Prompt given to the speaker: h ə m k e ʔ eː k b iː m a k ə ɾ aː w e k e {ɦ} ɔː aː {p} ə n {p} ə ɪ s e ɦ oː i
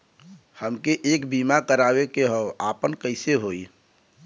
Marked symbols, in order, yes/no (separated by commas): yes, yes, no